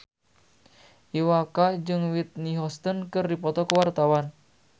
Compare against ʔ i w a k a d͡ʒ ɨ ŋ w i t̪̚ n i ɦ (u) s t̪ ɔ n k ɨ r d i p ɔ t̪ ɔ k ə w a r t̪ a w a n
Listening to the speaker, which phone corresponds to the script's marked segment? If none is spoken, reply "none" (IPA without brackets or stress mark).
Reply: ɔ